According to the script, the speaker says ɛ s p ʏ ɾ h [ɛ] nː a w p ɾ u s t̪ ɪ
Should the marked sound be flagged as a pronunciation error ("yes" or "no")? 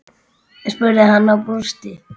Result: yes